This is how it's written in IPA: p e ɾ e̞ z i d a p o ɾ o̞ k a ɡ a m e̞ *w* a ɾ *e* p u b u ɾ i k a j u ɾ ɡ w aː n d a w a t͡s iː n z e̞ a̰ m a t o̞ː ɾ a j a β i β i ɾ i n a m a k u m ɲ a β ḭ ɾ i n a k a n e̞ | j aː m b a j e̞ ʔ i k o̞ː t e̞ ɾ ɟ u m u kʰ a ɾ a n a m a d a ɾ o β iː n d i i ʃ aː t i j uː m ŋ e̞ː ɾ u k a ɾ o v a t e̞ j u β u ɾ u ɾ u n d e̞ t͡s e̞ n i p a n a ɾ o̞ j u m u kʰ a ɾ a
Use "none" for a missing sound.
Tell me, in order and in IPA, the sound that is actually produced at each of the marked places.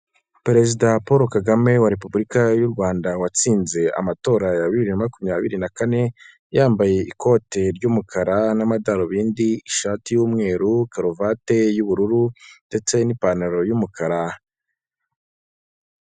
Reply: w, e

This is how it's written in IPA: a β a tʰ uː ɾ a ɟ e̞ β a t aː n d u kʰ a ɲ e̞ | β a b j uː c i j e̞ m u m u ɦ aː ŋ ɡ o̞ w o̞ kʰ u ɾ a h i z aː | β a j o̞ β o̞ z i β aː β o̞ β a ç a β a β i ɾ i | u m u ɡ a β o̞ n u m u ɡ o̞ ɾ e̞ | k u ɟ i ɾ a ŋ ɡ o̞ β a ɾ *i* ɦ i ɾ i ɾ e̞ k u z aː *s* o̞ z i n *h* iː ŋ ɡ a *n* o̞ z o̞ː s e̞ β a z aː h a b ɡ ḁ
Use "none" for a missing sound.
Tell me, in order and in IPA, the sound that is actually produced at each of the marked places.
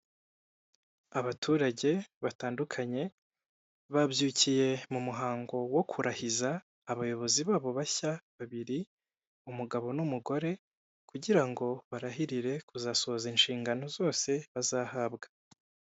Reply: a, s, ʃ, n

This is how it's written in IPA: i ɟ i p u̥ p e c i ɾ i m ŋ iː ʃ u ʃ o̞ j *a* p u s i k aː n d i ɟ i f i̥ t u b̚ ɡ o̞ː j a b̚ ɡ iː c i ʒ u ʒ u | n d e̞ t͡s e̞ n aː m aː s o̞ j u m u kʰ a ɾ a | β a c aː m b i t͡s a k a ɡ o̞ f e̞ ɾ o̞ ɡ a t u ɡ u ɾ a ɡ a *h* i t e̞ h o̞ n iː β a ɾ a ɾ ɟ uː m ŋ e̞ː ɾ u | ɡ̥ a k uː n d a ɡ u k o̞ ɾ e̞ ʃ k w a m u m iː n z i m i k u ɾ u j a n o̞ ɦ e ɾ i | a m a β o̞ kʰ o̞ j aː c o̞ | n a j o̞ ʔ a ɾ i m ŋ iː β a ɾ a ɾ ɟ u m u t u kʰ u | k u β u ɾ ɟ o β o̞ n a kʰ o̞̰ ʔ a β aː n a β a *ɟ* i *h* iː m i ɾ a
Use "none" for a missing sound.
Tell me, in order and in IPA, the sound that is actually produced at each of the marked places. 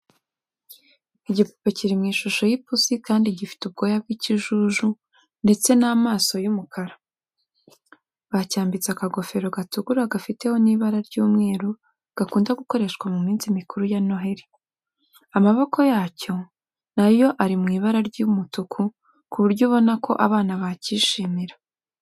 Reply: i, f, c, ʃ

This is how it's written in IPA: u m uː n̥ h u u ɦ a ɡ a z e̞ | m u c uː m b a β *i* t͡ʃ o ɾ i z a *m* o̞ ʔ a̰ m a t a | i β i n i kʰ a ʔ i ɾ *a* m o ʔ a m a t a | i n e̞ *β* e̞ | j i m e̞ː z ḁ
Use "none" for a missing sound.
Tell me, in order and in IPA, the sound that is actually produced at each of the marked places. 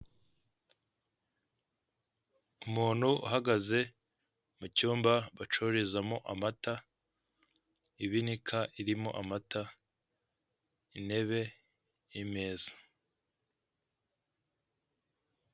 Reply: a, m, i, β

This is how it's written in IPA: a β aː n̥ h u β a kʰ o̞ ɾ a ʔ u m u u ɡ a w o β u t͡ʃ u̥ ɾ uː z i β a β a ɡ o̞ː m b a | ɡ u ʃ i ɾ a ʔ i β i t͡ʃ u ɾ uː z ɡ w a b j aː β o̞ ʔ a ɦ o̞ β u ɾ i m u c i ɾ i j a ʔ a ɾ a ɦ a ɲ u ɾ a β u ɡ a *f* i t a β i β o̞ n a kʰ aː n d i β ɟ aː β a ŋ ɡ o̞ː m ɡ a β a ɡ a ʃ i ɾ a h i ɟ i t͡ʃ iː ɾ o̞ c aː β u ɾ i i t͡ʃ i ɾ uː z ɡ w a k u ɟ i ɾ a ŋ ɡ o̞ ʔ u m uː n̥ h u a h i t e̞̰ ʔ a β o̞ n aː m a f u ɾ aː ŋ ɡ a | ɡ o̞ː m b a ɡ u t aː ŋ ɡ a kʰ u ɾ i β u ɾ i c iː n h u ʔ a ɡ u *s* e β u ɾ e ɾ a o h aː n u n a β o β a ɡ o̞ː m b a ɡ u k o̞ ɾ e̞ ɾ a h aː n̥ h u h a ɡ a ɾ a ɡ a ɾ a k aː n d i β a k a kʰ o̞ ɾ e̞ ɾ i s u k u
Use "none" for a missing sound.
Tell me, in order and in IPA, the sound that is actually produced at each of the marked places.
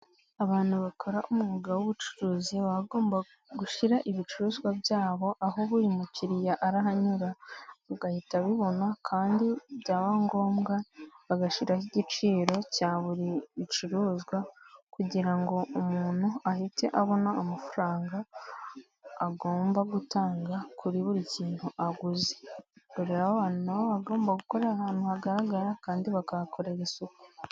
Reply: h, z

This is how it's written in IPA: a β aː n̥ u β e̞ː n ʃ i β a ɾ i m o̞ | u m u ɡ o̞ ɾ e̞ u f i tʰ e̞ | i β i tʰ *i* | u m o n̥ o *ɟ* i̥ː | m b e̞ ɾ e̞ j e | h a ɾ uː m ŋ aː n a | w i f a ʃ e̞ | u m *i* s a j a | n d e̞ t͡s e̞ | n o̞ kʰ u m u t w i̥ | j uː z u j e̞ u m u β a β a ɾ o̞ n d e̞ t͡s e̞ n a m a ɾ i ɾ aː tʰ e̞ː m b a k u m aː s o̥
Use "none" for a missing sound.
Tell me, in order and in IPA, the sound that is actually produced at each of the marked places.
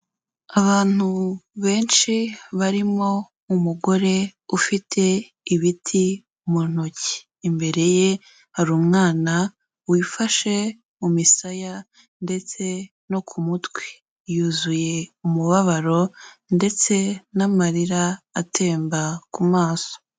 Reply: i, c, i

